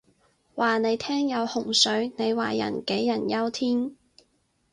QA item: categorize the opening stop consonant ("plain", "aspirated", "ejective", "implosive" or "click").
aspirated